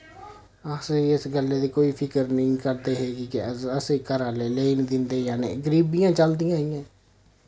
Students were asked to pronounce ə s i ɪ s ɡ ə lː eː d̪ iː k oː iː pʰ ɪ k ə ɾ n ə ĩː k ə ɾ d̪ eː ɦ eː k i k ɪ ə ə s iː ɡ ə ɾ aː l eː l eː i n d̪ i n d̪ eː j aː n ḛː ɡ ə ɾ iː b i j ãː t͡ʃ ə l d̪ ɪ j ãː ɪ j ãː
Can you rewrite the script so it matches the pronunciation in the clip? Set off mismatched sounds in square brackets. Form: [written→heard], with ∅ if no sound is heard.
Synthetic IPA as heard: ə s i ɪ s ɡ ə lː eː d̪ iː k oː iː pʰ ɪ k ə ɾ n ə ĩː k ə ɾ d̪ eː ɦ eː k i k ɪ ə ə s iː [ɡ→k] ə ɾ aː l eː l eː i n d̪ [i→ɪ] n d̪ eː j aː n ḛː ɡ ə ɾ iː b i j ãː t͡ʃ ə l d̪ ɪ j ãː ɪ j ãː